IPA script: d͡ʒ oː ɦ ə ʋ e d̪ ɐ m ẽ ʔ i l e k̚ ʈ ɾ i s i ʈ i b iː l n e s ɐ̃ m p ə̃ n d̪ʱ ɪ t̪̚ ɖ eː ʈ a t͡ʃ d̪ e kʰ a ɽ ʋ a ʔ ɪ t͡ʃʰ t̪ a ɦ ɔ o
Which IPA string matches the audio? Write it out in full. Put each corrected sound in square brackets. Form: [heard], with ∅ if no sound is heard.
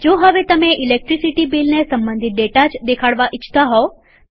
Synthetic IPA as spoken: d͡ʒ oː ɦ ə ʋ e [t̪] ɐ m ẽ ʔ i l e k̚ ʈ ɾ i s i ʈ i b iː l n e s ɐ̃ m [b] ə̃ n d̪ʱ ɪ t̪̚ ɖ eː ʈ a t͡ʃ d̪ e kʰ a ɽ ʋ a ʔ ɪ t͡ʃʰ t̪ a ɦ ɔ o